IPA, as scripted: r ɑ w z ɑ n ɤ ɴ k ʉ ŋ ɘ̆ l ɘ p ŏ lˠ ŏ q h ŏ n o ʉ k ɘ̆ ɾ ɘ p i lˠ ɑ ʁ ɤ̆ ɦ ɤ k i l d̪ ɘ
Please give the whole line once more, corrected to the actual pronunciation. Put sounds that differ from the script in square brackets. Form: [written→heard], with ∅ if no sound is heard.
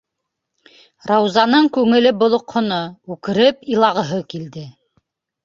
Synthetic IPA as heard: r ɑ w z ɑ n ɤ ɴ k ʉ ŋ ɘ̆ l ɘ [p→b] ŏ lˠ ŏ q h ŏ n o ʉ k ɘ̆ ɾ ɘ p i lˠ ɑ ʁ ɤ̆ ɦ ɤ k i l d̪ ɘ